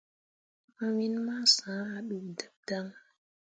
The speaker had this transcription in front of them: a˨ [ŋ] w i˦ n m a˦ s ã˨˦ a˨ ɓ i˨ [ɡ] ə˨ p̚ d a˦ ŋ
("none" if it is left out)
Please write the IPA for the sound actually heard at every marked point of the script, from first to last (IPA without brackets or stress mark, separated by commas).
none, d